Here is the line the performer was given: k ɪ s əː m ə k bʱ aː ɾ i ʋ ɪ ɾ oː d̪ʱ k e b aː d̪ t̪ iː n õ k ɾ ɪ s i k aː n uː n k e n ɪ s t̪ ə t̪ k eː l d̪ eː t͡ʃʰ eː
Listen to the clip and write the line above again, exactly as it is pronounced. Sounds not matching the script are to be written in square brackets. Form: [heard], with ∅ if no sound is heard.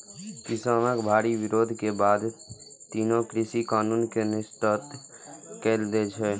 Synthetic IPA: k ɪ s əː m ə k bʱ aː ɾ i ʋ ɪ ɾ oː d̪ʱ k e b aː d̪ t̪ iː n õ k ɾ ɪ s i k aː n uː n k e n ɪ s t̪ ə t̪ k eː l d̪ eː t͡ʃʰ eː